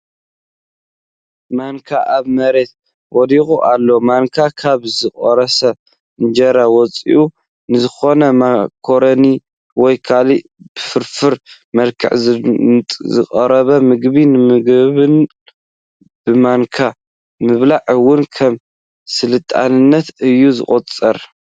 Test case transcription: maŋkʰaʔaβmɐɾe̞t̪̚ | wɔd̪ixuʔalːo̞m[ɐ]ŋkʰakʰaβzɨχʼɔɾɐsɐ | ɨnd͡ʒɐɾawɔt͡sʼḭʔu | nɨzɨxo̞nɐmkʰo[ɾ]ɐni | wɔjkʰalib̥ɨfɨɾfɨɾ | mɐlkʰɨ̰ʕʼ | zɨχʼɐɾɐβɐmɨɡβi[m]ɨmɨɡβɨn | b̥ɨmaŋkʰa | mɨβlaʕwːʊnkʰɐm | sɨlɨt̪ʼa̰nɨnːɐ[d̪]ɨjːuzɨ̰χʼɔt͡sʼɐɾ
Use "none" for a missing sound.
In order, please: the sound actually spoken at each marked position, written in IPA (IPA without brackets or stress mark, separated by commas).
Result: a, ɾ, n, t̪